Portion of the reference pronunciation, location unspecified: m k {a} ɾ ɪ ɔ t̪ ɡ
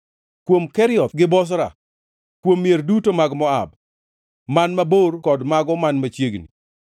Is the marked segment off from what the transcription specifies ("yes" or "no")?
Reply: yes